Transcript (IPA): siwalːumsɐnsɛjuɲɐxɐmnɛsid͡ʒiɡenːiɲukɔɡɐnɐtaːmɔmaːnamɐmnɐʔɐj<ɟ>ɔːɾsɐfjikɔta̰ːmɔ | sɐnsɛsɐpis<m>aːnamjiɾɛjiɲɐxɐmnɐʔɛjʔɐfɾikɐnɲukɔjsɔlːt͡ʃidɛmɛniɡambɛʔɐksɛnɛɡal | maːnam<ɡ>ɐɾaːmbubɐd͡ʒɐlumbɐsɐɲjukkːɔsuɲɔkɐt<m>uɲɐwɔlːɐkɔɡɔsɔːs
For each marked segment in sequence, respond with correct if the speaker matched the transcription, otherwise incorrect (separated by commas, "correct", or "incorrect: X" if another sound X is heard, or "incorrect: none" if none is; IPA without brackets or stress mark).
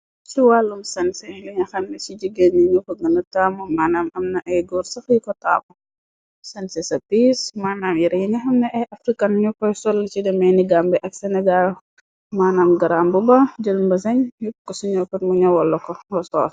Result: incorrect: ɡ, correct, correct, correct